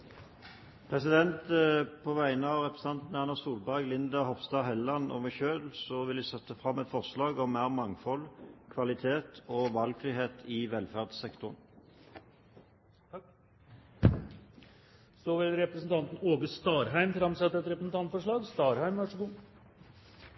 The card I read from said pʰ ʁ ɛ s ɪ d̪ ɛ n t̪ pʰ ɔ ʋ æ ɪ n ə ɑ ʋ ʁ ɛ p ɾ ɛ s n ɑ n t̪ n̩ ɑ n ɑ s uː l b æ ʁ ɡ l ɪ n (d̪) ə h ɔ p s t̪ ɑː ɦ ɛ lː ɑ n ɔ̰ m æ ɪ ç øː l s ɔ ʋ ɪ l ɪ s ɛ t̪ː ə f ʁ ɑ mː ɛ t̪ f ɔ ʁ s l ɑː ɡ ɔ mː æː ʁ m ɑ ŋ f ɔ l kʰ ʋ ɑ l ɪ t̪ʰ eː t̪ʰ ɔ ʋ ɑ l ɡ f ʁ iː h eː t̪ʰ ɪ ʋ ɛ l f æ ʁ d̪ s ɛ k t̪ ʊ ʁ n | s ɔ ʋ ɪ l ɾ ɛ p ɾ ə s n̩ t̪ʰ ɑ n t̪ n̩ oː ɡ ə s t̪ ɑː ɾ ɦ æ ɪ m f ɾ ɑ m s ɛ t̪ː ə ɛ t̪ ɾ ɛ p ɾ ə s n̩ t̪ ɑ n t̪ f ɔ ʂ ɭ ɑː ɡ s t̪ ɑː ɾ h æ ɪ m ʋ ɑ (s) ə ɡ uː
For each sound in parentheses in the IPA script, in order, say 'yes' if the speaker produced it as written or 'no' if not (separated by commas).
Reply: yes, no